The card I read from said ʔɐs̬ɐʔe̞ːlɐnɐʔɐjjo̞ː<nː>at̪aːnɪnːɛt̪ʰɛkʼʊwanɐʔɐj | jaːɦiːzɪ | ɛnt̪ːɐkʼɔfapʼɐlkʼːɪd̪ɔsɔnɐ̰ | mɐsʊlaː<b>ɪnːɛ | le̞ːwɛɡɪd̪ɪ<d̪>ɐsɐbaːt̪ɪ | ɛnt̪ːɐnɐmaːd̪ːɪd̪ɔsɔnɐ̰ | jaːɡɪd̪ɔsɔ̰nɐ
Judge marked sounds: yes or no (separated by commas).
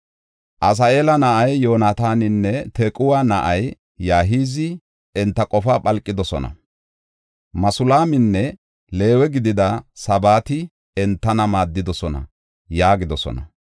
no, no, yes